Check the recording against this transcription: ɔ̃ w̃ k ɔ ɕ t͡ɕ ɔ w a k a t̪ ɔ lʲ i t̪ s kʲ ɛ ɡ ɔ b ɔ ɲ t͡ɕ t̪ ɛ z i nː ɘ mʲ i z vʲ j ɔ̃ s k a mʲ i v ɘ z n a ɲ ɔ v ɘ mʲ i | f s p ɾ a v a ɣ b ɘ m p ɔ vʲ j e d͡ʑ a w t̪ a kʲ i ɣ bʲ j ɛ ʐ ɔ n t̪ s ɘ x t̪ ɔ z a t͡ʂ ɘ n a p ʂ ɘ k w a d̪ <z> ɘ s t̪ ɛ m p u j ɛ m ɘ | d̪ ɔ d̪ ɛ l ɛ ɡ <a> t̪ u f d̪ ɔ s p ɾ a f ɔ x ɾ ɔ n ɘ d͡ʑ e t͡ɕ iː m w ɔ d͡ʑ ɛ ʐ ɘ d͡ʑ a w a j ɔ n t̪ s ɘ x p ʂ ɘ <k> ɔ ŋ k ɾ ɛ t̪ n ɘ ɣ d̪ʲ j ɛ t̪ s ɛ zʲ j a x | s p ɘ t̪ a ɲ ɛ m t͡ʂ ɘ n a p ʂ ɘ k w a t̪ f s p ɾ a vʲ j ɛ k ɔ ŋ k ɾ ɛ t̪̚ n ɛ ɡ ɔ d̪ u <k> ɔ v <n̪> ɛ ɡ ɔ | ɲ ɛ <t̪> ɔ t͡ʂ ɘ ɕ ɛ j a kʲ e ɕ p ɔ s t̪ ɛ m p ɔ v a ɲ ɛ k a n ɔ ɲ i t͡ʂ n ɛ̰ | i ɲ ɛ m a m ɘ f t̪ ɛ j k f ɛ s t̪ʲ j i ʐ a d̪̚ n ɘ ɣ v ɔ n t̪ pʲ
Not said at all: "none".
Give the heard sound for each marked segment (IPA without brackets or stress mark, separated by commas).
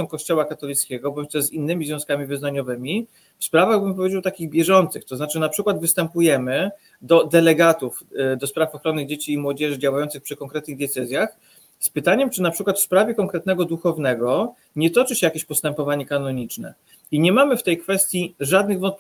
v, a, k, x, n̪, t̪